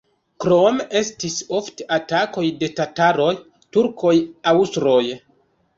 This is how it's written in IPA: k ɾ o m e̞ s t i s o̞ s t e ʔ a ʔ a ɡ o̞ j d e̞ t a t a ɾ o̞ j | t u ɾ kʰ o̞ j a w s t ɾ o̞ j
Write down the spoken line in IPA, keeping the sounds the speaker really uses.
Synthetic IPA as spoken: k ɾ o m e̞ s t i s o̞ f t e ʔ a t a k o̞ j d e̞ t a t a ɾ o̞ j | t u ɾ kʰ o̞ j a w s t ɾ o̞ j